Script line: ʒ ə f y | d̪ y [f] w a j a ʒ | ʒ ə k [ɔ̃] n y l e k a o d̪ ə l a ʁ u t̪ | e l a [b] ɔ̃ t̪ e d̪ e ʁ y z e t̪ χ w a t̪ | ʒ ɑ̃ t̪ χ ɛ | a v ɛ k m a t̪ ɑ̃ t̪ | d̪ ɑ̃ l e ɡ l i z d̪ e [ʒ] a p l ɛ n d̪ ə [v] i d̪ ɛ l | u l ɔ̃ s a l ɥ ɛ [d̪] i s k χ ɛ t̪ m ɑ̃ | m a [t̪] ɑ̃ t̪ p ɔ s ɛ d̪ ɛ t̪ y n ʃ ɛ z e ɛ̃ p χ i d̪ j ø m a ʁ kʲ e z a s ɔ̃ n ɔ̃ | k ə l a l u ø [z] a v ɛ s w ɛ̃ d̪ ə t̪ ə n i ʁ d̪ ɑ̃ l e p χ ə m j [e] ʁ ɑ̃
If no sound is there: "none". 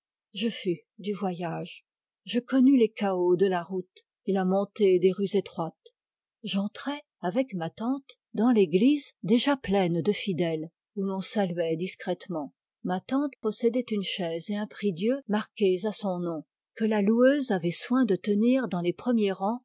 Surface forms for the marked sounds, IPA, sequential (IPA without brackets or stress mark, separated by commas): v, ɔ, m, ʒ, f, d̪, t̪, z, e